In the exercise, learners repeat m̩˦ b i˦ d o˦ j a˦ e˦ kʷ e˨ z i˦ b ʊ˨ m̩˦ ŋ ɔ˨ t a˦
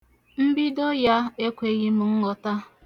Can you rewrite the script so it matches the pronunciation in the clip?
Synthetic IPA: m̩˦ b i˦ d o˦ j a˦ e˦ kʷ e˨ ɣ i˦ m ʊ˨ ŋ̩˦ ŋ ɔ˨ t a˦